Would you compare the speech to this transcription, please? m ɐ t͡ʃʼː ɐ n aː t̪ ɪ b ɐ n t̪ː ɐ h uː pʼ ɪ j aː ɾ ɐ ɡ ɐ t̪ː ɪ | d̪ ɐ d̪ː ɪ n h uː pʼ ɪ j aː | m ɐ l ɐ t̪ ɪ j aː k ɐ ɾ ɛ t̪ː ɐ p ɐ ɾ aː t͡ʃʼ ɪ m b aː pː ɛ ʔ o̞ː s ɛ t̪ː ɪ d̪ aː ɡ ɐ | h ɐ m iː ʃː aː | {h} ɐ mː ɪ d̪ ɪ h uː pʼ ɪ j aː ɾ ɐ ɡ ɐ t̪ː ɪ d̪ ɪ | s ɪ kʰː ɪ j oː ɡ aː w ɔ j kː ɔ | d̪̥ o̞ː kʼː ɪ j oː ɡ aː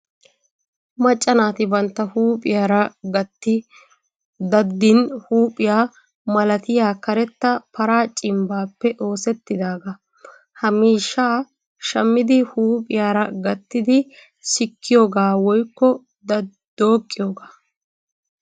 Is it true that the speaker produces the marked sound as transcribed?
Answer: no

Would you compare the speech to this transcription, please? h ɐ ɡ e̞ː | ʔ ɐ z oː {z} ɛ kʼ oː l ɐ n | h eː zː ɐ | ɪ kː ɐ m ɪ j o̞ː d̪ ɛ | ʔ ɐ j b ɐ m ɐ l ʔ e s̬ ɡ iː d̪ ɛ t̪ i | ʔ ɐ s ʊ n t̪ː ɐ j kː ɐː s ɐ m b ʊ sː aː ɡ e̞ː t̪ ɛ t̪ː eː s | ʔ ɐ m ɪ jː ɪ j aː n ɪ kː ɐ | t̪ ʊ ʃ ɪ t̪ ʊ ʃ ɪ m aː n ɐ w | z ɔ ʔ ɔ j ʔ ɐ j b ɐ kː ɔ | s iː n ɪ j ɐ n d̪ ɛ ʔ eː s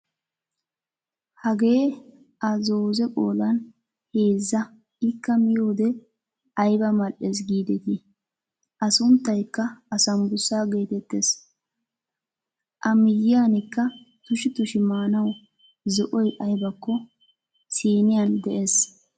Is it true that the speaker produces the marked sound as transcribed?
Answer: yes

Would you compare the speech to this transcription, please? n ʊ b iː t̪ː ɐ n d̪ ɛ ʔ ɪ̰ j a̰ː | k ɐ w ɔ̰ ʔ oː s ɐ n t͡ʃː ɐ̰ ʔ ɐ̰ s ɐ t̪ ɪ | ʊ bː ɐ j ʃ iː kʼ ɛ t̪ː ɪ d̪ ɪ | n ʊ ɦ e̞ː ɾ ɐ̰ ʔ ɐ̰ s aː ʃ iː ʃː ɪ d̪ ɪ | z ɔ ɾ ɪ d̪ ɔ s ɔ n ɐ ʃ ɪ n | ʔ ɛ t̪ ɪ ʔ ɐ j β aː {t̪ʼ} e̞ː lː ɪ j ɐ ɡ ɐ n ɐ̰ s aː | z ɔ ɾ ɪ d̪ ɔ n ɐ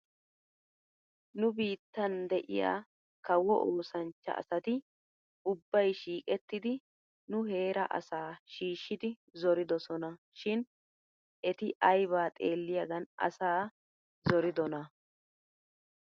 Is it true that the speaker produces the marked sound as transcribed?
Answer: yes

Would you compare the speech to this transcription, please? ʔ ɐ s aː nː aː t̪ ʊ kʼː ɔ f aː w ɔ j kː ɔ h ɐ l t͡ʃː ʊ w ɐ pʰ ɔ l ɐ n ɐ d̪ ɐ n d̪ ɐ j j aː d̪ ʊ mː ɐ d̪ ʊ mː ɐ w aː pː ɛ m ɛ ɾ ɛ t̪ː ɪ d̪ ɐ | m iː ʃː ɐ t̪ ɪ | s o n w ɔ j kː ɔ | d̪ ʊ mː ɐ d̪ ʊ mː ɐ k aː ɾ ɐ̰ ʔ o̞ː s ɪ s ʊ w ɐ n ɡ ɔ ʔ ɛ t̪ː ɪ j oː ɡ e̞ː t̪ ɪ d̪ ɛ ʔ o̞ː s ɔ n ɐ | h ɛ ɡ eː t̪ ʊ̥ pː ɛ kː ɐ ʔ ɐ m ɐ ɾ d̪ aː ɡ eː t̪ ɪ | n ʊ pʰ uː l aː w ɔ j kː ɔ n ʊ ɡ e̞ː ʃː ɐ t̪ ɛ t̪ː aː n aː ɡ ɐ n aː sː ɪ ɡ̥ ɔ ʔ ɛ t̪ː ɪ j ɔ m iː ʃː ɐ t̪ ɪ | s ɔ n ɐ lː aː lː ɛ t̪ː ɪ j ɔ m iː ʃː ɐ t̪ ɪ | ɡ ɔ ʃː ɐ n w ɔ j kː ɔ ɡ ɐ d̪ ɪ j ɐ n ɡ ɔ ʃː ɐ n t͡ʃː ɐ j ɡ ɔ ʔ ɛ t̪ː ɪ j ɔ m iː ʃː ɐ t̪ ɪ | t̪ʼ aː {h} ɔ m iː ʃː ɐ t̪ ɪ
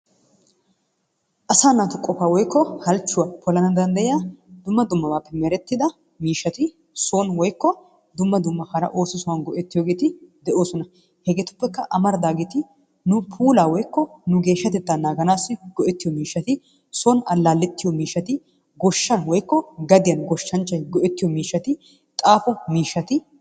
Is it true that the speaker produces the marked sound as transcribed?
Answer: no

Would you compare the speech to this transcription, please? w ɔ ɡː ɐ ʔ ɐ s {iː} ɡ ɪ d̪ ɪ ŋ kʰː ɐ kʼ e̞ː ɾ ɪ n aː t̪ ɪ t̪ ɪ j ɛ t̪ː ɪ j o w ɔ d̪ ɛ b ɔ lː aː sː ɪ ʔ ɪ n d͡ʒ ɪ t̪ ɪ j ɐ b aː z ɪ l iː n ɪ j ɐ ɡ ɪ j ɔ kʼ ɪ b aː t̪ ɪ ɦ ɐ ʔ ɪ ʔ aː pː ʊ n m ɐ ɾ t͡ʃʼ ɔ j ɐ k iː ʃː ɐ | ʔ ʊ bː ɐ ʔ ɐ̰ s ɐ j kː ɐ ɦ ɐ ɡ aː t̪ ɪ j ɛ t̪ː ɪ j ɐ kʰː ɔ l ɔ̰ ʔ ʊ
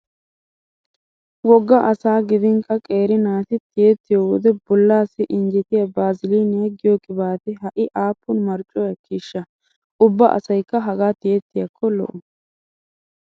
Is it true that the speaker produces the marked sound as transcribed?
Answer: no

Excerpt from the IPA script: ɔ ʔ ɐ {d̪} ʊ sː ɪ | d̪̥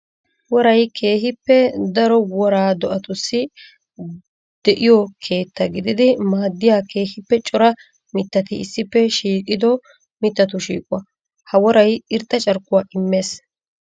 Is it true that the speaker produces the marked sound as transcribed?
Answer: no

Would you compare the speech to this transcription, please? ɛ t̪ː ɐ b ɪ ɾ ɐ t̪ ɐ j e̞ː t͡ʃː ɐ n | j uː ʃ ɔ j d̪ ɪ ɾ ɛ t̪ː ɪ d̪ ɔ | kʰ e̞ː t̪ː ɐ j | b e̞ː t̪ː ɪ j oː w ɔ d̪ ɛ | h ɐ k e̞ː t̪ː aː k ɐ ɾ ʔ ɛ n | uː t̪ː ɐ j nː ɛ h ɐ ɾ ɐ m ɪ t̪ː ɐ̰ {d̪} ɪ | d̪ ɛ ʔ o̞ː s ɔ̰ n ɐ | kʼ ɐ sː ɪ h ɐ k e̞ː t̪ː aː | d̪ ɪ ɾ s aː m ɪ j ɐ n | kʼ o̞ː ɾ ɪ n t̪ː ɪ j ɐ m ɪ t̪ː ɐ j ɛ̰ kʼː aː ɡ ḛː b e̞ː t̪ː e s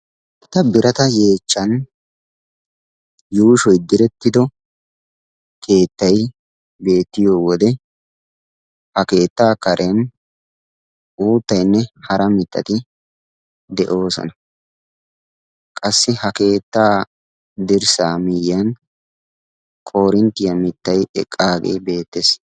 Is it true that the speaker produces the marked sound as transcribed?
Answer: no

